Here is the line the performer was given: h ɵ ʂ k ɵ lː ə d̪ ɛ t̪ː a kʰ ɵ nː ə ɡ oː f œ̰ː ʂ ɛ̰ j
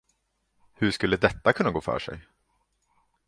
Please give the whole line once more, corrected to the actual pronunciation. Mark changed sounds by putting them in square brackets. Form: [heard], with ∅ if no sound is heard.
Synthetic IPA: h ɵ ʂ k ɵ lː ə d̪ ɛ t̪ː a kʰ ɵ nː [a] ɡ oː f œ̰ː ʂ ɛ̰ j